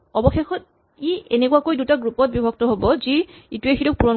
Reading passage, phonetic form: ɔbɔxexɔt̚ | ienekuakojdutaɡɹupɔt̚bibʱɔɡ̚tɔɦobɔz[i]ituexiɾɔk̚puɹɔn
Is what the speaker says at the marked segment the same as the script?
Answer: yes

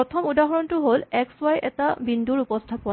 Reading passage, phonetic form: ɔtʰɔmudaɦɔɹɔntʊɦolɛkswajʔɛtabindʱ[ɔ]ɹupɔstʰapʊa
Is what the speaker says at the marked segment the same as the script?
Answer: no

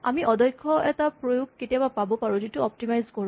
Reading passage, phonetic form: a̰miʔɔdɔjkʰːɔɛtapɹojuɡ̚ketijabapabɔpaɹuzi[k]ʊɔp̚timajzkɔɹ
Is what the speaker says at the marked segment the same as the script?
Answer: no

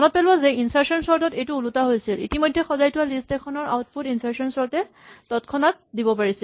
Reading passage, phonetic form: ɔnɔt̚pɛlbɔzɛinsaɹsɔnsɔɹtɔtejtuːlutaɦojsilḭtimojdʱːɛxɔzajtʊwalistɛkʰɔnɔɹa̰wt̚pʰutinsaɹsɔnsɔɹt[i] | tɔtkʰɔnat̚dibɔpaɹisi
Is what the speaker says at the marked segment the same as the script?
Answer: no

